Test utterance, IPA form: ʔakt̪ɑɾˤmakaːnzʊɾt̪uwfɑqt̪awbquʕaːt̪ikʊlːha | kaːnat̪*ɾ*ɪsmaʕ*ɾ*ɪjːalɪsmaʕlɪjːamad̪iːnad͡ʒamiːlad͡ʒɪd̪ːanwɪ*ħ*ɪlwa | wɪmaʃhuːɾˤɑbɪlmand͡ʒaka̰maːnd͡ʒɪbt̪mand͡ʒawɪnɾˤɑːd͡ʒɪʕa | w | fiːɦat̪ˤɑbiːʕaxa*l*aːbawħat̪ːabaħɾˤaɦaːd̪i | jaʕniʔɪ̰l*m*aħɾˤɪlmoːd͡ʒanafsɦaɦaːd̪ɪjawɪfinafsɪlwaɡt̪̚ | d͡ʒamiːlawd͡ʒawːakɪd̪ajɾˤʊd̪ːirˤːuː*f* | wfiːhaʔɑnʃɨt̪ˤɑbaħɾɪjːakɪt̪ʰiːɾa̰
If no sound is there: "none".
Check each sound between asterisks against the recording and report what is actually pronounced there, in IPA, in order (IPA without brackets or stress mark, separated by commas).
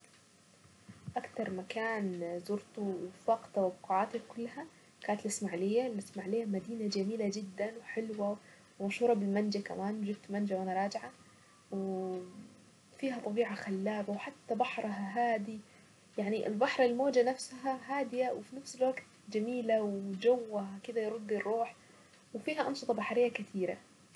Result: l, l, ħ, lː, b, ħ